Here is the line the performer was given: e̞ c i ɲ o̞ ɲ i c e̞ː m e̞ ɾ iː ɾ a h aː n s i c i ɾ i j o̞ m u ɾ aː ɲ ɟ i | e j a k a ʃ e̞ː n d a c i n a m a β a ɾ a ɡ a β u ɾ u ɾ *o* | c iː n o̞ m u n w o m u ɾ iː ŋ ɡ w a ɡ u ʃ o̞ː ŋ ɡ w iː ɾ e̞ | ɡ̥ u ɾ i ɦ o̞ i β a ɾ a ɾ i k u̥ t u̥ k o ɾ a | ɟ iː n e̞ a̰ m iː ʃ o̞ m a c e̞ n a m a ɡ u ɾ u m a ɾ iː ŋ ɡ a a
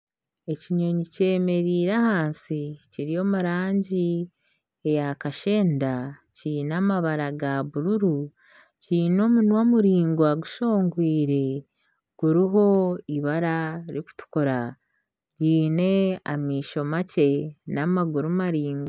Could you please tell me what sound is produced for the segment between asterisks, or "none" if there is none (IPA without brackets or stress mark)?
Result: u